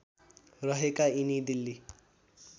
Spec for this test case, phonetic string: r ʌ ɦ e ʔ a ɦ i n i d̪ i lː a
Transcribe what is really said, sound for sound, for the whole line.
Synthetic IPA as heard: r ʌ ɦ e k a i n i d̪ i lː i